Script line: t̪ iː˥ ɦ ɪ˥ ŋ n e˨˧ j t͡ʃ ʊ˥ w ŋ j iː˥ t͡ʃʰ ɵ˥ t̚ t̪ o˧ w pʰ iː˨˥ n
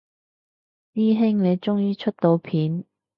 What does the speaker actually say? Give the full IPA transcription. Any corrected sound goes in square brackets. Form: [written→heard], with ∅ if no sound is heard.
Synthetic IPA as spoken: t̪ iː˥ ɦ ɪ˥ ŋ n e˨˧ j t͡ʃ ʊ˥ [w→∅] ŋ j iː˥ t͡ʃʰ ɵ˥ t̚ t̪ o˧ w pʰ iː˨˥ n